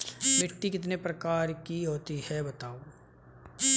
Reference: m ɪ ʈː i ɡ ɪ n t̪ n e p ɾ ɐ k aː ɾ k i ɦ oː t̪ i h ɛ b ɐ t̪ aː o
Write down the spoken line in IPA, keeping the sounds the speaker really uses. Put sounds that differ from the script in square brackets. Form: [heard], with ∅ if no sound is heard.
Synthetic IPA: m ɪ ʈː i [k] ɪ [∅] t̪ n e p ɾ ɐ k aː ɾ k i ɦ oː t̪ i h ɛ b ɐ t̪ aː o

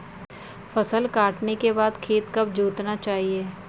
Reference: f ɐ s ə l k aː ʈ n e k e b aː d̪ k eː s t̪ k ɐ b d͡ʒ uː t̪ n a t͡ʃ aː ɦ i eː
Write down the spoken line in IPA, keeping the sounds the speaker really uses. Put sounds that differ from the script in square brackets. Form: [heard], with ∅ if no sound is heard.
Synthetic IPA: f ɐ s ə l k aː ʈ n e k e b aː d̪ [kʰ] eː [∅] t̪ k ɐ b d͡ʒ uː t̪ n a t͡ʃ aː ɦ i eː

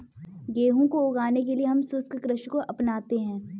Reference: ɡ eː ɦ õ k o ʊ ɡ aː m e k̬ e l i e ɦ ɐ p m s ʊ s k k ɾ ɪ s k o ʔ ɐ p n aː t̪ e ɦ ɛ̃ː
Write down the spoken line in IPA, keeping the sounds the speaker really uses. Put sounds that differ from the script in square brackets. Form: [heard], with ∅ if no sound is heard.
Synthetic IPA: ɡ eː ɦ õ k o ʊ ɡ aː [n] e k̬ e l i e ɦ ɐ [∅] m s ʊ s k k ɾ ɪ [ʃ] k o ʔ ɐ p n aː t̪ e ɦ ɛ̃ː

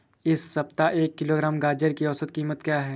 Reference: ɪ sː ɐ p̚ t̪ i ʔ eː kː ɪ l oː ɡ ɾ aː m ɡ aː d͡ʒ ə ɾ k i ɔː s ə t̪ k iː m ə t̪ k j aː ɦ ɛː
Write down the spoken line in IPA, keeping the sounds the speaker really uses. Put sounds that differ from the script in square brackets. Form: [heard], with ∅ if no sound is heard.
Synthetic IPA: ɪ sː ɐ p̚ t̪ [a] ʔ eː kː ɪ l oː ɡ ɾ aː m ɡ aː d͡ʒ ə ɾ k i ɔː s ə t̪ k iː m ə t̪ k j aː ɦ ɛː

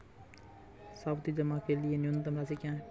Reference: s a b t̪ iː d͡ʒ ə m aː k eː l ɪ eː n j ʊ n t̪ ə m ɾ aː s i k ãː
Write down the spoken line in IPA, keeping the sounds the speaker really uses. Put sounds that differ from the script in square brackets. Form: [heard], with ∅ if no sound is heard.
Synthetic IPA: s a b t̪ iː d͡ʒ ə m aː k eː l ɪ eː n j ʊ n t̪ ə m ɾ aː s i k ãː

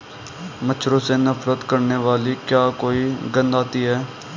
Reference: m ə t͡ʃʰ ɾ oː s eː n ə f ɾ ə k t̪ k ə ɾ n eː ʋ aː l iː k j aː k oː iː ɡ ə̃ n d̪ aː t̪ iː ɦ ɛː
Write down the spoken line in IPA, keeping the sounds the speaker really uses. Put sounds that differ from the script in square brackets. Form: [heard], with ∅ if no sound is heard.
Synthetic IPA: m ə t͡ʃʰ ɾ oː s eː n ə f ɾ ə [∅] t̪ k ə ɾ n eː ʋ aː l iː k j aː k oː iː ɡ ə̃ n d̪ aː t̪ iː ɦ ɛː

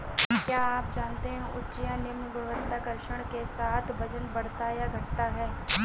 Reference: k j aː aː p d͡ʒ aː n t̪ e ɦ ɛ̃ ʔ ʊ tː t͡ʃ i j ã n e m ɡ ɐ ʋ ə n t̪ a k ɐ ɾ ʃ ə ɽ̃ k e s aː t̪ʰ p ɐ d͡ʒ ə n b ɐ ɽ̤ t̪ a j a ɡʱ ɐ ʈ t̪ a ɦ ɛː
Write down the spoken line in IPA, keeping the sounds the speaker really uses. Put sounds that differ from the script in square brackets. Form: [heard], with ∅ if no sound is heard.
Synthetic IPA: k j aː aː p d͡ʒ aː n t̪ e ɦ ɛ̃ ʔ ʊ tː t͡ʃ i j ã n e m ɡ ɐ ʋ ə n t̪ a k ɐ ɾ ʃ ə ɽ̃ k e s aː t̪ʰ [b] ɐ d͡ʒ ə n b ɐ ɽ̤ t̪ a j a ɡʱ ɐ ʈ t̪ a ɦ ɛː

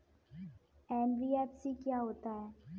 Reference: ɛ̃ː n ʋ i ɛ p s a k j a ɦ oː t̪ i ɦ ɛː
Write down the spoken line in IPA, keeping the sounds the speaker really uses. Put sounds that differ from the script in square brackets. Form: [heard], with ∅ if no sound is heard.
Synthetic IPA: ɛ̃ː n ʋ i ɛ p s [i] k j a ɦ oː t̪ [a] ɦ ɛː

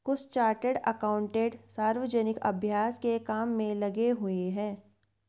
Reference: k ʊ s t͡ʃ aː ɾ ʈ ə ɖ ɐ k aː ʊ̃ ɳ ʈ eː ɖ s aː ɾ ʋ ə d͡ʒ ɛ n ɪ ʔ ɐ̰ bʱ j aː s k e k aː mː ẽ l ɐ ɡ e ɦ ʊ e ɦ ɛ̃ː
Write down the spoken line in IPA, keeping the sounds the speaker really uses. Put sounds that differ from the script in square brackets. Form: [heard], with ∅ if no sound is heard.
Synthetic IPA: k ʊ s t͡ʃ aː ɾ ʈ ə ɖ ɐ k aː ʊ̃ ɳ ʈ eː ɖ s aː ɾ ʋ ə d͡ʒ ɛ n ɪ [k] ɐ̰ bʱ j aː s k e k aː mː ẽ l ɐ ɡ e ɦ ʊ e ɦ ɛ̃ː

